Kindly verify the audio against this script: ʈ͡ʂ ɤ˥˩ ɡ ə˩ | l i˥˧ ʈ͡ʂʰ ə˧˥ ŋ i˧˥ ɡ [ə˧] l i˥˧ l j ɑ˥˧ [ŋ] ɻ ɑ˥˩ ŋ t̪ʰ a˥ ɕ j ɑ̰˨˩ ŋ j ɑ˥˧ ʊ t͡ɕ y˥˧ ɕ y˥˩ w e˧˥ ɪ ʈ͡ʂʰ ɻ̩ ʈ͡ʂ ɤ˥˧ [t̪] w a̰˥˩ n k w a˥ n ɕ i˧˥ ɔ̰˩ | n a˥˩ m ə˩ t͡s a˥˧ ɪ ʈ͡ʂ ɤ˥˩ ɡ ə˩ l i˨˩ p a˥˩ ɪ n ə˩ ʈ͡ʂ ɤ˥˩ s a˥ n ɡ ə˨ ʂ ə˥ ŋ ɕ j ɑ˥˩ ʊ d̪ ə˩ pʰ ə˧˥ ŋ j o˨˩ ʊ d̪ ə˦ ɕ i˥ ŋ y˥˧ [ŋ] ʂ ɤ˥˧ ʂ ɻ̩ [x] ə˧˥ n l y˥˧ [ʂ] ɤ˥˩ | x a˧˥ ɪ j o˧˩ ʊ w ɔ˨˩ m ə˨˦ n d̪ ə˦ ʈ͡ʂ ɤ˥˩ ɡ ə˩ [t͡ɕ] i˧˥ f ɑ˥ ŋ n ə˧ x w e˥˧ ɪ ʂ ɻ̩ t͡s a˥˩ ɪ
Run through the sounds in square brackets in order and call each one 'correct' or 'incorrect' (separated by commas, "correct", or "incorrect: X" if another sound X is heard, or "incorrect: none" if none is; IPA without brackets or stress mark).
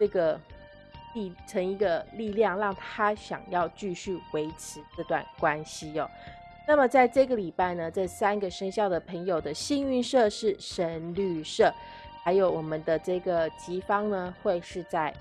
correct, correct, correct, incorrect: n, incorrect: ʂ, correct, correct